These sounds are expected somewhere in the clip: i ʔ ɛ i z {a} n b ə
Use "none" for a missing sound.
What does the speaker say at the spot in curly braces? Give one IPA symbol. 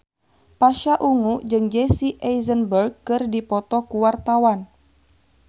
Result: ə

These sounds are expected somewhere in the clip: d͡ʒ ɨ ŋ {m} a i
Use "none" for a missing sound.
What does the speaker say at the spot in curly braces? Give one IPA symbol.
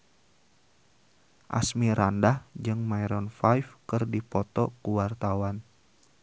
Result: m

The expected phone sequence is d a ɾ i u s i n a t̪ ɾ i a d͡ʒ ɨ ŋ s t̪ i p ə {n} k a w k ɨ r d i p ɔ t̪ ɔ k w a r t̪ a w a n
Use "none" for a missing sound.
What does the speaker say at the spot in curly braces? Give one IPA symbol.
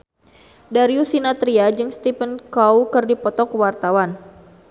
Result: n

